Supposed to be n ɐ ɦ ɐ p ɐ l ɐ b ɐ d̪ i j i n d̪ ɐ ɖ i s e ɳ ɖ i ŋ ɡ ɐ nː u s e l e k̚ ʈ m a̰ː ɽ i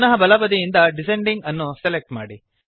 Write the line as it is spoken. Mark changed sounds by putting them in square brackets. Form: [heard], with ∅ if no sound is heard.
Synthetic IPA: n ɐ ɦ ɐ [b] ɐ l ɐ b ɐ d̪ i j i n d̪ ɐ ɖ i s e ɳ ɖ i ŋ ɡ ɐ nː u s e l e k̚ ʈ m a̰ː ɽ i